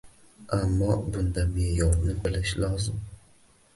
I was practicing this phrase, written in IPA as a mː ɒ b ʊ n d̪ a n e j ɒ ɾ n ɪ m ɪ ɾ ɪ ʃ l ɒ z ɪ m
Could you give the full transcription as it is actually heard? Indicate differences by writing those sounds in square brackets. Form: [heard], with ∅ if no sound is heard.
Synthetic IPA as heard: a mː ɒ b ʊ n d̪ a [m] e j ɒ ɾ n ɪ [b] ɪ [l] ɪ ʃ l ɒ z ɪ m